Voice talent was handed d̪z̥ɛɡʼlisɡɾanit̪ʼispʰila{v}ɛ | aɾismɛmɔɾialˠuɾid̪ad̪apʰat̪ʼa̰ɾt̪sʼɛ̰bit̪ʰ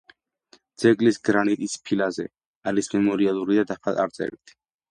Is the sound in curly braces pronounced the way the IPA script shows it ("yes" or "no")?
no